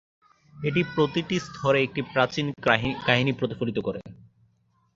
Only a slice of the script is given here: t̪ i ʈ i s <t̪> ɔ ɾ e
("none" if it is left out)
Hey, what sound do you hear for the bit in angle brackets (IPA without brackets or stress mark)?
t̪ʰ